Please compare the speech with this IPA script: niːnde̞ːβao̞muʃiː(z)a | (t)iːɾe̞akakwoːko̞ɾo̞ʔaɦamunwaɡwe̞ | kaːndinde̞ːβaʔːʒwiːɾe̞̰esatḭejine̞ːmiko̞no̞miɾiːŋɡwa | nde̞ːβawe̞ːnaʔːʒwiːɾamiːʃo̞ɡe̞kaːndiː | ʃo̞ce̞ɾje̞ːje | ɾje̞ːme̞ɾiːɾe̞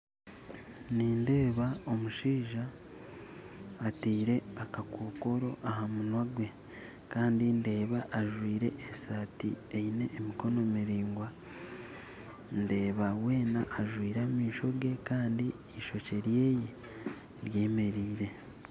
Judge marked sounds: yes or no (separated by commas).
no, yes